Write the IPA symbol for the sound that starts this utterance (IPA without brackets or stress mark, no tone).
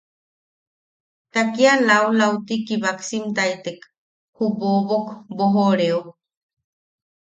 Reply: t̪